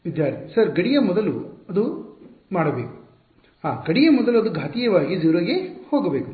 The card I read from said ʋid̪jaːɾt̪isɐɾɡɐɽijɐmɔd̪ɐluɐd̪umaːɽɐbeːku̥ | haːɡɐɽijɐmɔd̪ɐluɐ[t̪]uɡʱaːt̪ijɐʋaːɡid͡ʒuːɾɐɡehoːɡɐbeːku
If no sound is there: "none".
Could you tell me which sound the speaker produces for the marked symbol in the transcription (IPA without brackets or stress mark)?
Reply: d̪